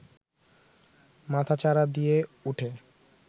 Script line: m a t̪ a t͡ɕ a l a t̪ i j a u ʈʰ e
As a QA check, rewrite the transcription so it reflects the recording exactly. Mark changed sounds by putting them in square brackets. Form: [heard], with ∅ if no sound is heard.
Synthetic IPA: m a [t̪ʰ] a t͡ɕ a [ɾ] a [d̪] i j [e] u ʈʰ e